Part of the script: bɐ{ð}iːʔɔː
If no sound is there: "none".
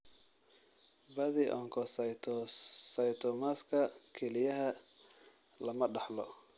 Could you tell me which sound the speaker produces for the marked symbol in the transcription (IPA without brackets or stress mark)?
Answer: ð